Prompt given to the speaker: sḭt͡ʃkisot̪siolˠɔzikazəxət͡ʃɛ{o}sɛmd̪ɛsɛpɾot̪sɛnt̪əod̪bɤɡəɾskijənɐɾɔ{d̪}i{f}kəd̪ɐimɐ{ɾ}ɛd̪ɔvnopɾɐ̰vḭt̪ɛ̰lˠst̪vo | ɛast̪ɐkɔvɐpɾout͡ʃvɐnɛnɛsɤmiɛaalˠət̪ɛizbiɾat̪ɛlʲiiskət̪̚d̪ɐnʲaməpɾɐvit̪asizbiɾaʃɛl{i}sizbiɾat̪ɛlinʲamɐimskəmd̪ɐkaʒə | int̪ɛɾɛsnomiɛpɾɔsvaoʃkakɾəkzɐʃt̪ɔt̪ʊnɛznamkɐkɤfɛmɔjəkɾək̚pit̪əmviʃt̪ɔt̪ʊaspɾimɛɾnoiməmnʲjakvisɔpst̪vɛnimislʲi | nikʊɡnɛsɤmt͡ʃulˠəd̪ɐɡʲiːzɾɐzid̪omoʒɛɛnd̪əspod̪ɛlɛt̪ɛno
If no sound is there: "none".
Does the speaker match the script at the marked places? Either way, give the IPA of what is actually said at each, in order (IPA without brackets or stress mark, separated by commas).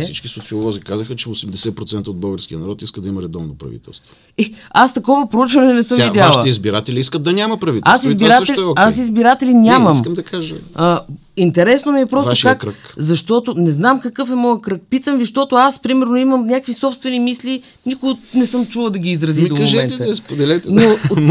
o, t̪, s, ɾ, a